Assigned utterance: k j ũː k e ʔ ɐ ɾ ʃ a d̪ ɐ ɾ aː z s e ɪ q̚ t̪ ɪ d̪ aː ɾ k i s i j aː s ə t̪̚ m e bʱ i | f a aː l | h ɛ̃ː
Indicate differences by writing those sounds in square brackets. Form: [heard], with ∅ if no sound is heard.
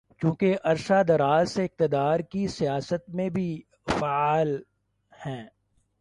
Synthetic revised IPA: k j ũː k e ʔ ɐ ɾ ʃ a d̪ ɐ ɾ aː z s e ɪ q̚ t̪ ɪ d̪ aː ɾ k i s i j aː s ə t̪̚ m [ẽ] bʱ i | f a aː l | h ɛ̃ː